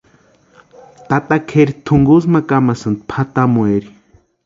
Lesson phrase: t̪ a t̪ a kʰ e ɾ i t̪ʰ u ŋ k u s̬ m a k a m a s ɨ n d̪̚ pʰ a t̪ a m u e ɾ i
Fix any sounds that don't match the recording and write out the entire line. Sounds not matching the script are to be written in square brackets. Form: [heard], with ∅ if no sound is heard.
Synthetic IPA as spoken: t̪ a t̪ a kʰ e ɾ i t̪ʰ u ŋ [ɡ] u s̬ m a k a m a s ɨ n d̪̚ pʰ a t̪ a m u e ɾ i